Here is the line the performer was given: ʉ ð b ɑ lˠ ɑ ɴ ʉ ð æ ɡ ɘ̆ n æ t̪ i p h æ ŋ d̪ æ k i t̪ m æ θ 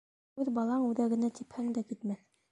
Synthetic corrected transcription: ʉ ð b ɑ lˠ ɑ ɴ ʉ ð æ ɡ ɘ̆ n æ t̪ i p h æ ŋ d̪ æ k i t̪ m æ θ